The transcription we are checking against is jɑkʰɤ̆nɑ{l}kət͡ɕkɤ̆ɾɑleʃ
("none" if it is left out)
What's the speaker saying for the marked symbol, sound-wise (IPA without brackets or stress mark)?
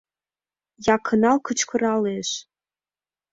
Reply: l